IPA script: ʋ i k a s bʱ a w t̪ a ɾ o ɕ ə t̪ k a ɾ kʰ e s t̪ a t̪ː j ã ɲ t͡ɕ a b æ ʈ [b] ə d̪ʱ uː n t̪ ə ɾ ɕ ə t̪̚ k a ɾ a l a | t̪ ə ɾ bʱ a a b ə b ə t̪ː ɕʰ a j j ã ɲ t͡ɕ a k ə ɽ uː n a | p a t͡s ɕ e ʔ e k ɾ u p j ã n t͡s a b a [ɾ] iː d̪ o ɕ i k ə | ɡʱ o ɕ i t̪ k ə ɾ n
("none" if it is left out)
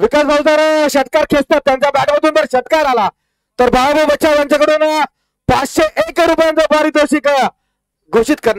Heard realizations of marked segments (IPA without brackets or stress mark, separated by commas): m, ɾ